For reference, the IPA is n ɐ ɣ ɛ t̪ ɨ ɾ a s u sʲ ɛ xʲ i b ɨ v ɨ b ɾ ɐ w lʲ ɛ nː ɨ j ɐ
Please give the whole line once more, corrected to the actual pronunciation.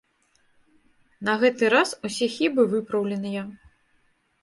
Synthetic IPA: n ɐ ɣ ɛ t̪ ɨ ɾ a s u sʲ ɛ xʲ i b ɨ v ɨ p ɾ ɐ w lʲ ɛ n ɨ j ɐ

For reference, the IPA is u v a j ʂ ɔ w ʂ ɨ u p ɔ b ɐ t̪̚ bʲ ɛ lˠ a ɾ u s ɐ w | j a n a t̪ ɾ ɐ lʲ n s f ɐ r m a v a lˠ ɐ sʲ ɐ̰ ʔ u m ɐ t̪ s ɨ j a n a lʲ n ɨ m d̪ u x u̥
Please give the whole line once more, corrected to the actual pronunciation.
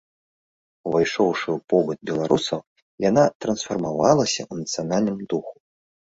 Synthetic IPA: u v a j ʂ ɔ w ʂ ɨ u p ɔ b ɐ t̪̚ bʲ ɛ lˠ a ɾ u s ɐ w | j a n a t̪ ɾ ɐ n s f ɐ r m a v a lˠ ɐ sʲ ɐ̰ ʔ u n ɐ t̪ s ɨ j a n a lʲ n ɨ m d̪ u x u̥

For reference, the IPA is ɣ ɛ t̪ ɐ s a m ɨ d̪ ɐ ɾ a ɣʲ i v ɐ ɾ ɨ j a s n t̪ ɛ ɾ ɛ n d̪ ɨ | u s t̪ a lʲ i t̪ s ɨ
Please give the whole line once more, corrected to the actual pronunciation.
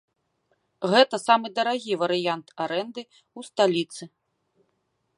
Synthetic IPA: ɣ ɛ t̪ ɐ s a m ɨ d̪ ɐ ɾ a ɣʲ i v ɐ ɾ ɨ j a n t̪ a ɾ ɛ n d̪ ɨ | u s t̪ a lʲ i t̪ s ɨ

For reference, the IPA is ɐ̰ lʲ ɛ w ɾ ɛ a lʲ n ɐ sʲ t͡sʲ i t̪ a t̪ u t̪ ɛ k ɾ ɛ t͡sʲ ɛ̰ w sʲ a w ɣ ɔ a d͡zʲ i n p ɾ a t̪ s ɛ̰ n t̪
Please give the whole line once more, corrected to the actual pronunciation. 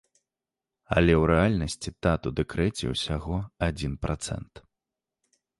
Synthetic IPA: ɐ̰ lʲ ɛ w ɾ ɛ a lʲ n ɐ sʲ t͡sʲ i t̪ a t̪ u d̪ ɛ k ɾ ɛ t͡sʲ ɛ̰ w sʲ a ɣ ɔ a d͡zʲ i n p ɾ a t̪ s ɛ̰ n t̪

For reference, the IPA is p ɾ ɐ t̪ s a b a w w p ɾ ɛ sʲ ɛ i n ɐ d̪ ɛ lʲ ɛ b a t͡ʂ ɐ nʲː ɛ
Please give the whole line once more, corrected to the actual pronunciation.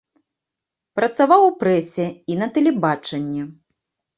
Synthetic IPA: p ɾ ɐ t̪ s a v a w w p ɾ ɛ sʲ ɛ i n ɐ t̪ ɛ lʲ ɛ b a t͡ʂ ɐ nʲː ɛ

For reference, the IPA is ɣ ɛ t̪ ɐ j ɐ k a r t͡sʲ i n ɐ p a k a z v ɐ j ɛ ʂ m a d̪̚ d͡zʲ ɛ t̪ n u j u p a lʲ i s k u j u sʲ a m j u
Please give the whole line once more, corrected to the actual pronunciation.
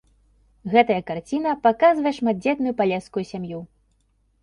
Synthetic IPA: ɣ ɛ t̪ ɐ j ɐ k a r t͡sʲ i n ɐ p a k a z v ɐ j ɛ ʂ m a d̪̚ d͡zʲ ɛ t̪ n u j u p a lʲ ɛ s k u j u sʲ a m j u

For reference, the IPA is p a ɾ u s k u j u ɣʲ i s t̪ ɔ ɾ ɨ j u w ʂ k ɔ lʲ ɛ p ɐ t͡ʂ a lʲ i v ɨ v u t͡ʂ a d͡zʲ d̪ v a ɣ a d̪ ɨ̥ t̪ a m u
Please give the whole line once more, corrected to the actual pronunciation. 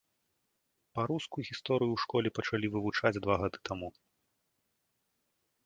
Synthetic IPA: p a ɾ u s k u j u ɣʲ i s t̪ ɔ ɾ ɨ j u w ʂ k ɔ lʲ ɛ p ɐ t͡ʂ a lʲ i v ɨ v u t͡ʂ a d͡zʲ d̪ v a ɣ a d̪ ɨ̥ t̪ a m u

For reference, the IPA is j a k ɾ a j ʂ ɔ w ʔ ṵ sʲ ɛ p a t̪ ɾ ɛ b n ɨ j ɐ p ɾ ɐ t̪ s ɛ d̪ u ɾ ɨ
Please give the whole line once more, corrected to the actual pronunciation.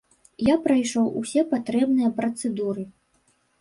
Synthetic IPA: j a p ɾ a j ʂ ɔ w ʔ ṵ sʲ ɛ p a t̪ ɾ ɛ b n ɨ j ɐ p ɾ ɐ t̪ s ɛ d̪ u ɾ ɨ

